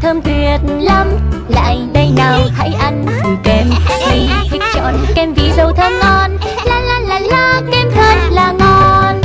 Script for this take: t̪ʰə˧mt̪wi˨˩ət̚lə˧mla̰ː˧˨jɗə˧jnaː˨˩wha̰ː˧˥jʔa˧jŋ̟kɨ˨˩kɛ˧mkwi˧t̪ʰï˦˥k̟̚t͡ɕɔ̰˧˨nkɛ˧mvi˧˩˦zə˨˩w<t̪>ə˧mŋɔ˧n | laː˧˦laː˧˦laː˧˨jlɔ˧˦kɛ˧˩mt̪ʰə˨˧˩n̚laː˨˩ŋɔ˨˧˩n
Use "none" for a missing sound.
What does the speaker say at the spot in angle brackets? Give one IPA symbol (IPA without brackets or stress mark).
t̪ʰ